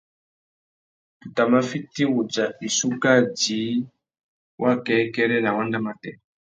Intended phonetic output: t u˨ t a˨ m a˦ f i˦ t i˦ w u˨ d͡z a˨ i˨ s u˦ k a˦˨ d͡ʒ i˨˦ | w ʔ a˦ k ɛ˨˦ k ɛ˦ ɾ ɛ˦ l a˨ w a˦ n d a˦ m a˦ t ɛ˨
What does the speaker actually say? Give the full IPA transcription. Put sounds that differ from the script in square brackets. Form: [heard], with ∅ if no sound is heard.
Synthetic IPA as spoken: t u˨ t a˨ m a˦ f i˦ t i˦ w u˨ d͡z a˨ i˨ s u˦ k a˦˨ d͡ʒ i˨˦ | w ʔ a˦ k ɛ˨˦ k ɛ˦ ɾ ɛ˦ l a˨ w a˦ n d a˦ m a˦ t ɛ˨